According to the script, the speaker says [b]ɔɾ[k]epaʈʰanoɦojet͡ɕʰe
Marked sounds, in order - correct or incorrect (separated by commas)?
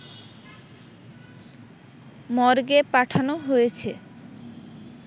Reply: incorrect, incorrect